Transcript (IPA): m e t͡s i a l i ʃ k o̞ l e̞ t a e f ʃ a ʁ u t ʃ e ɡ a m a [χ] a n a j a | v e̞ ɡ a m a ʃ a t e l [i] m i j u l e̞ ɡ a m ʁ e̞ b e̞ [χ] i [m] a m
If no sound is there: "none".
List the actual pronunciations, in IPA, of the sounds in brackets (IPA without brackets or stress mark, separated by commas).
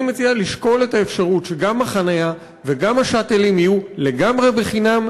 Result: χ, i, χ, n